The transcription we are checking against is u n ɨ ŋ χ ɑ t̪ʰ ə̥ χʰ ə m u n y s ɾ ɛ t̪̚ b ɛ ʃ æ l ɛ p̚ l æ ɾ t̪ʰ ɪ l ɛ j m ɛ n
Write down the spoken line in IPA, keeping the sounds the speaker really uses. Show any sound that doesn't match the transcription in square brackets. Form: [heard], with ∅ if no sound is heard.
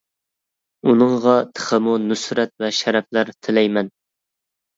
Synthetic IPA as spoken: u n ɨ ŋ [ʁ] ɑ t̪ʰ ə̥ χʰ ə m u n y s ɾ ɛ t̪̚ [v] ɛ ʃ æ [ɾ] ɛ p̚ l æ ɾ t̪ʰ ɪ l ɛ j m ɛ n

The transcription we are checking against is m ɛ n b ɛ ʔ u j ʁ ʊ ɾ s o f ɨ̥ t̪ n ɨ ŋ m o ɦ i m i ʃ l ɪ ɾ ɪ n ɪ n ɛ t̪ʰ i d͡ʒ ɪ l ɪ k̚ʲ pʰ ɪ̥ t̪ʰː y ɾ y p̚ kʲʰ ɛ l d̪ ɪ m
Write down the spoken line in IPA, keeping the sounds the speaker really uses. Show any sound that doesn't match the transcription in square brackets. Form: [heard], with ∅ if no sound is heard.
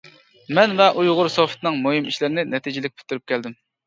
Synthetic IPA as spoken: m ɛ n [v] ɛ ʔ u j ʁ ʊ ɾ s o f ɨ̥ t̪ n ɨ ŋ m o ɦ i m i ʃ l ɪ ɾ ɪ n ɪ n ɛ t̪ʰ i d͡ʒ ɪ l ɪ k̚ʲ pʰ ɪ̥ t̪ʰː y ɾ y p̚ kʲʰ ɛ l d̪ ɪ m

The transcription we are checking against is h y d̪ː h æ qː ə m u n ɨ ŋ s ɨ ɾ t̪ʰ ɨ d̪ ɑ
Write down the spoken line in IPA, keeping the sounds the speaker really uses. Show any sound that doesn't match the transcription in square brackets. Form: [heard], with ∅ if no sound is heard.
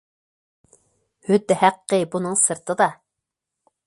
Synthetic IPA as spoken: h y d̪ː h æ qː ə [b] u n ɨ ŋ s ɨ ɾ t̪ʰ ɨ d̪ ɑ

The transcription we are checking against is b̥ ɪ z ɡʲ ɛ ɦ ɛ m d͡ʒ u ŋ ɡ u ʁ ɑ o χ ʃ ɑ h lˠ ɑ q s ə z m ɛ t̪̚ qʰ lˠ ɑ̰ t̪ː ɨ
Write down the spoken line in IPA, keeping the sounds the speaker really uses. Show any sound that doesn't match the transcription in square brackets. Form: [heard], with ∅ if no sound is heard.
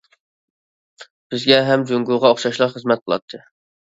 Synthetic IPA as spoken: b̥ ɪ z ɡʲ ɛ ɦ ɛ m d͡ʒ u ŋ ɡ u ʁ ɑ o χ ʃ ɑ [ʃ] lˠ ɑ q [χ] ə z m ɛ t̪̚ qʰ lˠ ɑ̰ [t̪ʰː] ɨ

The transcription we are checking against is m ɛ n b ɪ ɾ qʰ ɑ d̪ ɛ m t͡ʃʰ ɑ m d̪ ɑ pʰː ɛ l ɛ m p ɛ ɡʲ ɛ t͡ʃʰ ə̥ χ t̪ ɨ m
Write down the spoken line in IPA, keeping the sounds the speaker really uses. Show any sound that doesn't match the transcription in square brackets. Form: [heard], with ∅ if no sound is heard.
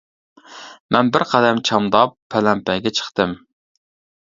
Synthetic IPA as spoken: m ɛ n b ɪ ɾ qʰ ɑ d̪ ɛ m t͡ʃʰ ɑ m d̪ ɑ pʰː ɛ l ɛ m p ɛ ɡʲ ɛ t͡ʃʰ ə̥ χ t̪ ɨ m

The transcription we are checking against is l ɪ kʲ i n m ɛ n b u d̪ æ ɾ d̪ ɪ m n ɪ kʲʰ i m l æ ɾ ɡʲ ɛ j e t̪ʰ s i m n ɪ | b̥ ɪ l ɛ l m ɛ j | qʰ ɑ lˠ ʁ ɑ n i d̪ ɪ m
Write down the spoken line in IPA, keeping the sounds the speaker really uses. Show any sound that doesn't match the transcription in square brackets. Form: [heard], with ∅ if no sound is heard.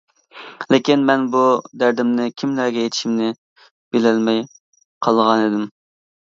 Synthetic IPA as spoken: l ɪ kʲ i n m ɛ n b u d̪ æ ɾ d̪ ɪ m n ɪ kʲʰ i m l æ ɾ ɡʲ ɛ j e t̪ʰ [ʃ] i m n ɪ | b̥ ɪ l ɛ l m ɛ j | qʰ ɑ lˠ ʁ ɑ n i d̪ ɪ m

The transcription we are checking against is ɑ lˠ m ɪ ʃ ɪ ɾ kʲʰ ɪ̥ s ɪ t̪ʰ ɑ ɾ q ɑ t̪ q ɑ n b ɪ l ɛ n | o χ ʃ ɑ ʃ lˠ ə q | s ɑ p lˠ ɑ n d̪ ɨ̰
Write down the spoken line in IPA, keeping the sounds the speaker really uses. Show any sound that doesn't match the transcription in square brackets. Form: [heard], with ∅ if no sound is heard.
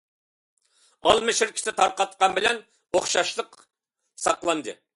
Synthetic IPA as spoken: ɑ lˠ m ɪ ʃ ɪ ɾ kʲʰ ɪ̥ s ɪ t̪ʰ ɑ ɾ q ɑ t̪ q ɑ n b ɪ l ɛ n | o χ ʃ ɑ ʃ lˠ ə q | s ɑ [q] lˠ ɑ n d̪ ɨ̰

